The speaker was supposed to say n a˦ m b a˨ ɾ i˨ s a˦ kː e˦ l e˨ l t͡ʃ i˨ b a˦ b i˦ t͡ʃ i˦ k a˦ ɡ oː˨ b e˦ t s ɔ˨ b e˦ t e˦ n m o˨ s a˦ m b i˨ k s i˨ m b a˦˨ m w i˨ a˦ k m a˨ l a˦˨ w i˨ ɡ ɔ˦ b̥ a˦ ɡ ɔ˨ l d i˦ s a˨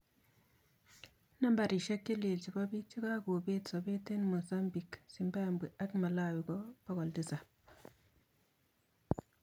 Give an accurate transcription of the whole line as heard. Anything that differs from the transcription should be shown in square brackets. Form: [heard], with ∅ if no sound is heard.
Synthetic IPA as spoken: n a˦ m b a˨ ɾ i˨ [ʃ] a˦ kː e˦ l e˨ l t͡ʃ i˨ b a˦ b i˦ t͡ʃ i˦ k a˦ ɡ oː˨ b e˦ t s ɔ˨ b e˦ t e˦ n m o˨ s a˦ m b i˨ k s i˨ m b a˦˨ m [b] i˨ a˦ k m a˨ l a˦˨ w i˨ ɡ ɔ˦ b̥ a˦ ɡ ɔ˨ l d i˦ s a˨